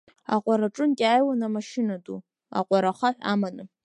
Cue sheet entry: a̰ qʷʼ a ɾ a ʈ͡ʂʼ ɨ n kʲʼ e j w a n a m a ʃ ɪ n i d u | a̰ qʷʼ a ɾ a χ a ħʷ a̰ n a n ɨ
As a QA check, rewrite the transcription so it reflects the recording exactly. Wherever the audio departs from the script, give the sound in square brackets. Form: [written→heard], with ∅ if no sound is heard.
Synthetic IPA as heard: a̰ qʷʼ a ɾ a ʈ͡ʂʼ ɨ n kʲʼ [e→a] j w a n a m a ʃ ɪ n [i→a] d u | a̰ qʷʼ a ɾ a χ a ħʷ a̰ [n→m] a n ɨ